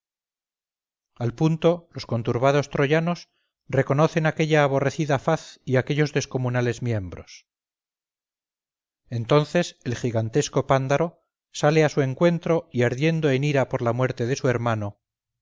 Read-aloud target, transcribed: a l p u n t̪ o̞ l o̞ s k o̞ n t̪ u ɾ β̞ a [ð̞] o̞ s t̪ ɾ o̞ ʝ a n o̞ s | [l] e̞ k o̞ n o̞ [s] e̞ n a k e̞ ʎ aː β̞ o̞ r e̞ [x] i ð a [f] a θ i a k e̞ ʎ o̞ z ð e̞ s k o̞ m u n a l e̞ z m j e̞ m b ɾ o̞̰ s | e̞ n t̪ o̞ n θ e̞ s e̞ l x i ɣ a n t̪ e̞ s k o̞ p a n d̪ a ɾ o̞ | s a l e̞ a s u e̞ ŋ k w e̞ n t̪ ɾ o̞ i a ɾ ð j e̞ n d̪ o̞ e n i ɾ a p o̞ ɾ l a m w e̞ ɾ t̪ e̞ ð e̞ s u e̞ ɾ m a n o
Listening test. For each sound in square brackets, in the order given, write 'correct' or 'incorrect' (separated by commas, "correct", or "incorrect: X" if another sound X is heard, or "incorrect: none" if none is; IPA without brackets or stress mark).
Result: correct, incorrect: r, incorrect: θ, incorrect: θ, correct